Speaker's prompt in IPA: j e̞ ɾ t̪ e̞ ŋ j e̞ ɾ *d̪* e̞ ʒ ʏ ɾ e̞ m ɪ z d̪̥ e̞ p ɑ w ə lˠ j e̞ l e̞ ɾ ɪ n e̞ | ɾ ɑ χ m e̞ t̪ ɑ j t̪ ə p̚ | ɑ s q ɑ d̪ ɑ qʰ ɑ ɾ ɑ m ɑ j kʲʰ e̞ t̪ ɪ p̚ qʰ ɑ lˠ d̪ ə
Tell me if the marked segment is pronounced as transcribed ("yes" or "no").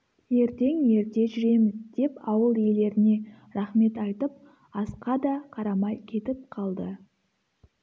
no